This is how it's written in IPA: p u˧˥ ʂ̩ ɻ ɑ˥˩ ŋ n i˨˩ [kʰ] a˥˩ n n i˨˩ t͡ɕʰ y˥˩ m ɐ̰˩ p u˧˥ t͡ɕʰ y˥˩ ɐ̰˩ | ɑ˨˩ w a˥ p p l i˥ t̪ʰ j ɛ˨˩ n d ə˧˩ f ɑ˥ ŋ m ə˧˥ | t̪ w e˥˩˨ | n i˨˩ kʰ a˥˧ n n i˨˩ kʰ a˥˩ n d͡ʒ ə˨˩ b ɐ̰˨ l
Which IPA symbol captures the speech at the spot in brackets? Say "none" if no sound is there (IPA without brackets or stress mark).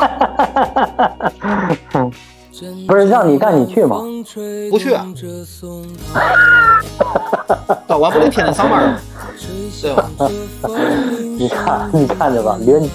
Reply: k